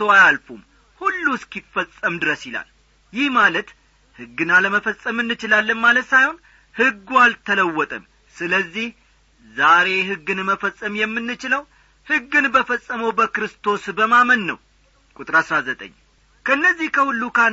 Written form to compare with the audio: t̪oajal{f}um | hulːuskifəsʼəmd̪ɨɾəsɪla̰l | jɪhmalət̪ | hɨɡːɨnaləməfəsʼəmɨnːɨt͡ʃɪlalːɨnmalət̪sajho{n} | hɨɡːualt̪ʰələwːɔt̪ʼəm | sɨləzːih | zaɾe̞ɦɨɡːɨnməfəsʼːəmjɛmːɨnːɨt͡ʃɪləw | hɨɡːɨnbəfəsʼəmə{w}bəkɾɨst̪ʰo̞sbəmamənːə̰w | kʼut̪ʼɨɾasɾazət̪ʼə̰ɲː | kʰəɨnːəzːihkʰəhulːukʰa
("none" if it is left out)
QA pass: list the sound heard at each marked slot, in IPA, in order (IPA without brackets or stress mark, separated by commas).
f, n, w